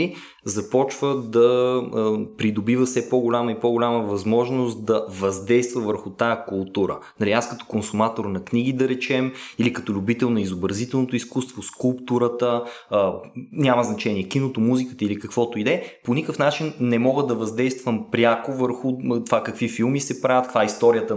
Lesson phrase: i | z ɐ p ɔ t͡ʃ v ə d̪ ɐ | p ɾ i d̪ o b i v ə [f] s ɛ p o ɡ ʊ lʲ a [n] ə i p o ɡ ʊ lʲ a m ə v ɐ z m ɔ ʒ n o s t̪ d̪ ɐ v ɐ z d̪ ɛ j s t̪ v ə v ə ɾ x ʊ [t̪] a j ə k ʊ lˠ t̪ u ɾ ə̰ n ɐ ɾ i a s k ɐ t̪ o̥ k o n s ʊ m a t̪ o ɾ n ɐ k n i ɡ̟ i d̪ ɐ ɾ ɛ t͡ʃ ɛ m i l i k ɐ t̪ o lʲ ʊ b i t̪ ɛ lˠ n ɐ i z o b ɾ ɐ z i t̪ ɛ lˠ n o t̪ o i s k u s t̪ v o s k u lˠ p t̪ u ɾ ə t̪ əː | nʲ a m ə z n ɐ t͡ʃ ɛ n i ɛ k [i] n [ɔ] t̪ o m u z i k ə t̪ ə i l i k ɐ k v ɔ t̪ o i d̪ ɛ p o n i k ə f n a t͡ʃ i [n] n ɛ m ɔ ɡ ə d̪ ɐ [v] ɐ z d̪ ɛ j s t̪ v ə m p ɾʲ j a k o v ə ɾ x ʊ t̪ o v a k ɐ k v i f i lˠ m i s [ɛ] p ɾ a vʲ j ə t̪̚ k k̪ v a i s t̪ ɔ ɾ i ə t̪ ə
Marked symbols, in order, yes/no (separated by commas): yes, no, yes, yes, no, yes, yes, yes